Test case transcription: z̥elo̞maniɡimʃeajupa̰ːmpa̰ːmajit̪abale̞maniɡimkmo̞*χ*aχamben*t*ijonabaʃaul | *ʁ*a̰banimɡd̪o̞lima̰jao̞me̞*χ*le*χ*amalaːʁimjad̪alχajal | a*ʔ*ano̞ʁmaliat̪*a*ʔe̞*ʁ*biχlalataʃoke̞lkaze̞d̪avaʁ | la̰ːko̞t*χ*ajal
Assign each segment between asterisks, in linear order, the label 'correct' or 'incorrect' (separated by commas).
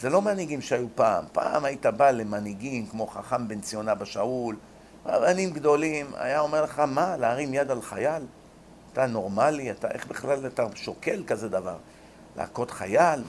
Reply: correct, incorrect, correct, incorrect, correct, incorrect, correct, incorrect, correct